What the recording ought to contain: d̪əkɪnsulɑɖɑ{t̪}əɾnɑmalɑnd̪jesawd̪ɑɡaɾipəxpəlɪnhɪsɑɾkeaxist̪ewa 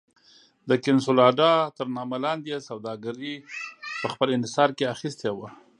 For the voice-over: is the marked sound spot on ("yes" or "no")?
yes